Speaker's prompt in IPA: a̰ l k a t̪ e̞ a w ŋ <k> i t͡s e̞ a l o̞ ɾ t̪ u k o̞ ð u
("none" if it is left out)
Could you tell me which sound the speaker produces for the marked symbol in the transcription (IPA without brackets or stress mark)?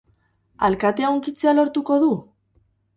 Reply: k